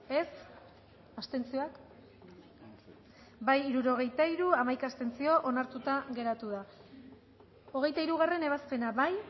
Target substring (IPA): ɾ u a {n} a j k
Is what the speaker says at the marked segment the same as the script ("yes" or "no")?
no